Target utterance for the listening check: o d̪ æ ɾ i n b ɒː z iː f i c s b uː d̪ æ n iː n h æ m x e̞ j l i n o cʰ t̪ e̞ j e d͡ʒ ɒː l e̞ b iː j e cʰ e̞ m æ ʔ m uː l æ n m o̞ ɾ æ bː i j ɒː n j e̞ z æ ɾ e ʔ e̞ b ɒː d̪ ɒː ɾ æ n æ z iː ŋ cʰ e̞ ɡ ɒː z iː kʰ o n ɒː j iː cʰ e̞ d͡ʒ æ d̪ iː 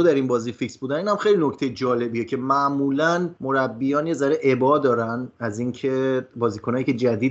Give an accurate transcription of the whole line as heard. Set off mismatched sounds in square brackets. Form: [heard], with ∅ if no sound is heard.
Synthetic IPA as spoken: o d̪ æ ɾ i n b ɒː z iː f i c s b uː d̪ æ n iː n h æ m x e̞ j l i n o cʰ t̪ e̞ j e d͡ʒ ɒː l e̞ b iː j e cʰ e̞ m æ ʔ m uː l æ n m o̞ ɾ æ bː i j ɒː n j e̞ z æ ɾ e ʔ e̞ b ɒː d̪ ɒː ɾ æ n æ z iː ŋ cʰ e̞ [b] ɒː z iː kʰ o n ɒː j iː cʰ e̞ d͡ʒ æ d̪ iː